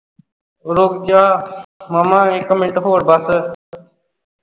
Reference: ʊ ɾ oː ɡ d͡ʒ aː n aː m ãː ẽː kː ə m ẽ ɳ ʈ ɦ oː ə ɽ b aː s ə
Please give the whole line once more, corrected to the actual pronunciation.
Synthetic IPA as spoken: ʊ ɾ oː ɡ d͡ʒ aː m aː m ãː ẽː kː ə m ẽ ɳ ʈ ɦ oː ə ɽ b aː s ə